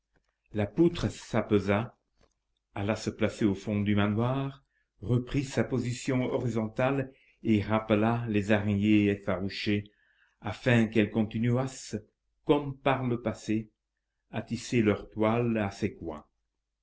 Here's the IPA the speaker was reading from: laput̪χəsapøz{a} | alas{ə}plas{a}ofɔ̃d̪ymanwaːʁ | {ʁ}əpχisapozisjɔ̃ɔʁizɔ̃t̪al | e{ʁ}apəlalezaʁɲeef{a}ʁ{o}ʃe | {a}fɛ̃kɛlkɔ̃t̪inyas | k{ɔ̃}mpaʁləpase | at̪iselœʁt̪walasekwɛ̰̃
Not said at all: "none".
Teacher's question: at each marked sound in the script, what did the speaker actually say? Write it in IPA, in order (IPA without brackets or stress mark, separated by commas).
a, ə, e, ʁ, ʁ, a, u, a, ɔ